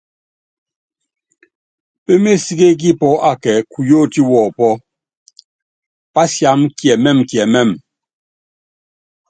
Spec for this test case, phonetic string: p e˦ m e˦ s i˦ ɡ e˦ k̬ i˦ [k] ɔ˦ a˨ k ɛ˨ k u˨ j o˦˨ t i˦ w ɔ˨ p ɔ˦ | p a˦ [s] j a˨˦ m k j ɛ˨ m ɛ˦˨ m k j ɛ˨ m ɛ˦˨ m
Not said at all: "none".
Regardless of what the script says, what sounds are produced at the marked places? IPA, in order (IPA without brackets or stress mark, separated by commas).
p, s